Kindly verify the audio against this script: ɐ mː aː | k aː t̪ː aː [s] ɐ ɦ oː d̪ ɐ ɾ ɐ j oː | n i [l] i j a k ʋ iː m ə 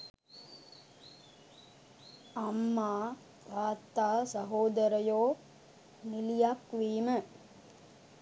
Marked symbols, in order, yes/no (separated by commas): yes, yes